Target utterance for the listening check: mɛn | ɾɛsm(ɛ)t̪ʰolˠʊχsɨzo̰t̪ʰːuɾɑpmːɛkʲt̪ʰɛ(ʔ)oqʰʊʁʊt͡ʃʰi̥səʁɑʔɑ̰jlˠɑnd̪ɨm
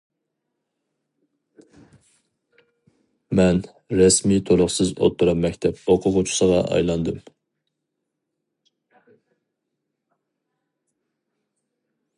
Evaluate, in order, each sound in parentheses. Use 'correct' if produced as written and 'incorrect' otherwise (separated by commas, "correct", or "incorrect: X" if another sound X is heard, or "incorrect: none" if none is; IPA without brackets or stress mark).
incorrect: i, incorrect: p